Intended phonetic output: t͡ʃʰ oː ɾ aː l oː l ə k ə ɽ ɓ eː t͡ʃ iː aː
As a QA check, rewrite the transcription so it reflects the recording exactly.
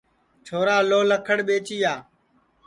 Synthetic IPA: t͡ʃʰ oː ɾ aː l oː l ə kʰ ə ɽ ɓ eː t͡ʃ iː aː